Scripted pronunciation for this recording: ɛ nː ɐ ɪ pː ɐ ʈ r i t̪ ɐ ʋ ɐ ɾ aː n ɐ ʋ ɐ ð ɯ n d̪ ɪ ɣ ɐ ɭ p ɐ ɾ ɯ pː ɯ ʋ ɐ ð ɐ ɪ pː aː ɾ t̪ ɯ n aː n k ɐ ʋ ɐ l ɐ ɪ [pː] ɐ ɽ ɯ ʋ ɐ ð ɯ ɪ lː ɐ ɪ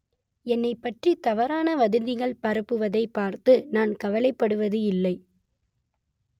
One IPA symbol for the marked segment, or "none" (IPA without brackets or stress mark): pː